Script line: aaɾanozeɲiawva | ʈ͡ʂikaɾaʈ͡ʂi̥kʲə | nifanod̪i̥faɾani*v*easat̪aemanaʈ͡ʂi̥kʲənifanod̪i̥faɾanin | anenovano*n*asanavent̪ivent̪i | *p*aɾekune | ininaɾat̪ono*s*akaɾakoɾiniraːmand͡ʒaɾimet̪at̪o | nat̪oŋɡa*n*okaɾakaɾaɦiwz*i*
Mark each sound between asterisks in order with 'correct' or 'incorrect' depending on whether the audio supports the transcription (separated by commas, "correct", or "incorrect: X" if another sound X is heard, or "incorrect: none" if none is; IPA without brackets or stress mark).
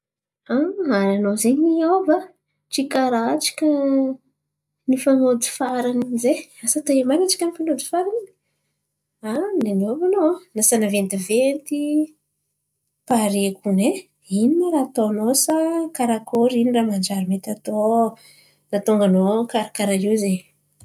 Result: incorrect: z, correct, correct, correct, correct, incorrect: e